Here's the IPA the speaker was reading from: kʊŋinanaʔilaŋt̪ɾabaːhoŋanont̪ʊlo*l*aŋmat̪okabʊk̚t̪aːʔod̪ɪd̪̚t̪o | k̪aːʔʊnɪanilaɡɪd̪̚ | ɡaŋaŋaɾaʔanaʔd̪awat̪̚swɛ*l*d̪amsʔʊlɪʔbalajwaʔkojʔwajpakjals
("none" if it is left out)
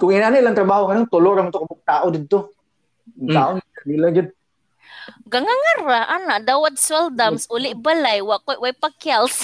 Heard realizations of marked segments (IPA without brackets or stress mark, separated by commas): ɾ, l